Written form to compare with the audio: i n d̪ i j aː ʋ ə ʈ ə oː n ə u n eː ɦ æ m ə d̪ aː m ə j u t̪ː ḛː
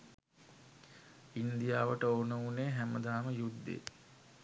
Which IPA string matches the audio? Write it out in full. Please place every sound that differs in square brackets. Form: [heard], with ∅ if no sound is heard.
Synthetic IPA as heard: i n d̪ i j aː ʋ ə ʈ ə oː n ə u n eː ɦ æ m ə d̪ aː m ə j u [d̪ː] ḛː